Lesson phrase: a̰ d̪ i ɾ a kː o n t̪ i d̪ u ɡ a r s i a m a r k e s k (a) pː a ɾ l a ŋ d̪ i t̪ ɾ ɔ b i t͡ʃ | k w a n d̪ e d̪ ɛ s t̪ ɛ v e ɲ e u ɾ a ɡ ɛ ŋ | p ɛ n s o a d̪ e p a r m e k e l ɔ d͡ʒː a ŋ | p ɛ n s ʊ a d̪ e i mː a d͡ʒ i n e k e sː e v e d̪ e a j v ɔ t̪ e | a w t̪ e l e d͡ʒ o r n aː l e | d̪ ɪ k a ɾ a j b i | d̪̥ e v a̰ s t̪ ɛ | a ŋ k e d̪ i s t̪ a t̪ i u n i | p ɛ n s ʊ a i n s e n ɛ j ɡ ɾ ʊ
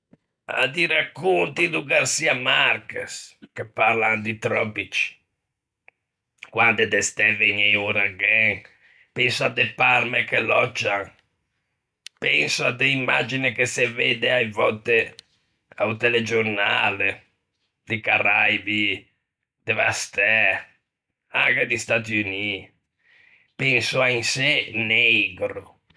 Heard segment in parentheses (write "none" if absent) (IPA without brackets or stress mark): e